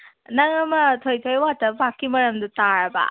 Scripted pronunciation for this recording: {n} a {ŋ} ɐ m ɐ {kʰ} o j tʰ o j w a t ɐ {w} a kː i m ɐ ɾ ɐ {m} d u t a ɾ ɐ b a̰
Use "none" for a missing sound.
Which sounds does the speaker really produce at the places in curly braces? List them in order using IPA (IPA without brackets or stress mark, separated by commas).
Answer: n, ŋ, tʰ, b, m